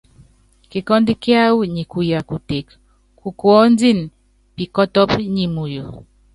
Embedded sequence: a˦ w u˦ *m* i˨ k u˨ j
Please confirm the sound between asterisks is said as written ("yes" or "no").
no